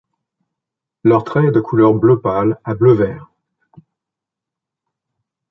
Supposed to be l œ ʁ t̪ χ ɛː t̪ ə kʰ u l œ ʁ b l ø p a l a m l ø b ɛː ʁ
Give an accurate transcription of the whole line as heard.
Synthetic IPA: l œ ʁ t̪ χ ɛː d̪ ə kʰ u l œ ʁ b l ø p a l a b l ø v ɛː ʁ

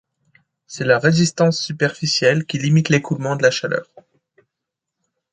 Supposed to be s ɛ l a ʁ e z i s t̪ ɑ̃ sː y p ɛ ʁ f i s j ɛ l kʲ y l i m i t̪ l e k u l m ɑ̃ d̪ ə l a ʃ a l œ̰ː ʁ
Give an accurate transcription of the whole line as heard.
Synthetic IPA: s ɛ l a ʁ e z i s t̪ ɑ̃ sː y p ɛ ʁ f i s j ɛ l kʲ i l i m i t̪ l e k u l m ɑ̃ d̪ ə l a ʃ a l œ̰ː ʁ

